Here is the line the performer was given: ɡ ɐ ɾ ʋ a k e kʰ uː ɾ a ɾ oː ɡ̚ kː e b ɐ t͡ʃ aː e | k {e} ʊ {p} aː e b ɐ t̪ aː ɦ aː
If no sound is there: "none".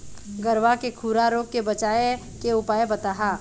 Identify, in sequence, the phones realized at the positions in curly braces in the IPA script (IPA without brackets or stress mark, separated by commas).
e, p